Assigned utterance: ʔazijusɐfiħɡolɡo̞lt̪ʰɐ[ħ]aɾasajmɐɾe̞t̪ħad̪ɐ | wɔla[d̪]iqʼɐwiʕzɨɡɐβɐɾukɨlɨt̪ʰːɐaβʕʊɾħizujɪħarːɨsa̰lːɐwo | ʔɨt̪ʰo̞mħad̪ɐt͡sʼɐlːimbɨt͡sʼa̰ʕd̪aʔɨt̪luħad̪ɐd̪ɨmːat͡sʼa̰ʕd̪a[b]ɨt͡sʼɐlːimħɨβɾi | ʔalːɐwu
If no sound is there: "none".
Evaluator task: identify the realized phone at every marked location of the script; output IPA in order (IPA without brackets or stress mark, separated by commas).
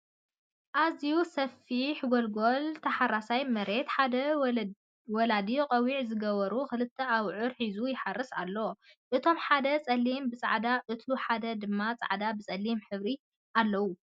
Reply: ħ, d̪, b